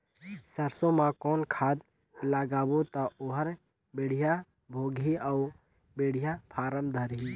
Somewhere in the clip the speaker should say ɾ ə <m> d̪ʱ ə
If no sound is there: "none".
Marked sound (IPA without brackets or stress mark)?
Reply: m